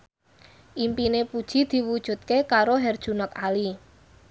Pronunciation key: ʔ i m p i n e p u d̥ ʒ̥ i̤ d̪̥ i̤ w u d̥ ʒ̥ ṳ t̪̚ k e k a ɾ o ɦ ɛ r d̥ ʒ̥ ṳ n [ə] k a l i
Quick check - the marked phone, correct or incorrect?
correct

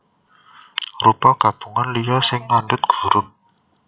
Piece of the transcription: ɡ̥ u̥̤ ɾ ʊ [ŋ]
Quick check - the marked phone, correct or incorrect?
incorrect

